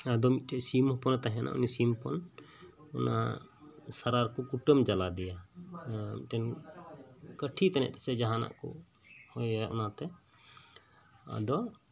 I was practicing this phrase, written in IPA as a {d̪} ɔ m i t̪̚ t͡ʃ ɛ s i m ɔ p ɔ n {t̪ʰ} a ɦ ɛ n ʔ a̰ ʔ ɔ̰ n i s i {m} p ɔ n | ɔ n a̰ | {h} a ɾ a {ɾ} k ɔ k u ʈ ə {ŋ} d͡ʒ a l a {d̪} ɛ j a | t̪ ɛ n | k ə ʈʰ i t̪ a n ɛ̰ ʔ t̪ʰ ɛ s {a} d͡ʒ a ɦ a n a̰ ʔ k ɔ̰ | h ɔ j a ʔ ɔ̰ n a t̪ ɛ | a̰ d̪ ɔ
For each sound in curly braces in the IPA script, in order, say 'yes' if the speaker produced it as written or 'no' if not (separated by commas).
yes, no, yes, no, yes, no, yes, no